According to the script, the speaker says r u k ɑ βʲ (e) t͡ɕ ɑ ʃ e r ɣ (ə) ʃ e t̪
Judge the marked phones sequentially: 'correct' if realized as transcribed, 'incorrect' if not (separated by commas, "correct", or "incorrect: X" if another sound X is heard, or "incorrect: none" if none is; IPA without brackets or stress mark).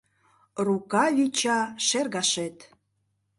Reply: incorrect: i, incorrect: ɑ